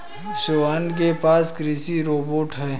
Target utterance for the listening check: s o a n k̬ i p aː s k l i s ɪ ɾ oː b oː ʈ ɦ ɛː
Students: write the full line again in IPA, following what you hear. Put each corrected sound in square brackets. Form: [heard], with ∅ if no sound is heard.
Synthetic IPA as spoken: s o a n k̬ [e] p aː s k [ɾ] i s [i] ɾ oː b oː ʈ ɦ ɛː